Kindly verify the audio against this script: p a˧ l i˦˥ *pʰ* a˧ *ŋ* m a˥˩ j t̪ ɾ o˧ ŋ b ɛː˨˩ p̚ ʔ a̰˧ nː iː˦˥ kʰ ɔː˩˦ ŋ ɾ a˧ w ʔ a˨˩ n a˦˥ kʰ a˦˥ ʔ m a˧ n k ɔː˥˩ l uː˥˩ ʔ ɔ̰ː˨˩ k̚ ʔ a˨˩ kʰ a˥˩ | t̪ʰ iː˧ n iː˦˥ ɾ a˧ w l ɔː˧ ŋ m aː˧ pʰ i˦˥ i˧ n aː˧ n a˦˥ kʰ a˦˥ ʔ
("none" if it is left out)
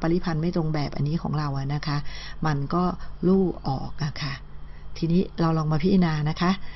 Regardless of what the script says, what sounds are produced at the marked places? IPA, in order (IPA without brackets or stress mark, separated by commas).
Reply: pʰ, n